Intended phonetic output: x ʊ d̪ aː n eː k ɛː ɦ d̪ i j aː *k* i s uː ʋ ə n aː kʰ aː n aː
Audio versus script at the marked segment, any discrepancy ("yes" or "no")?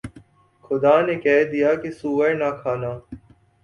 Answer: no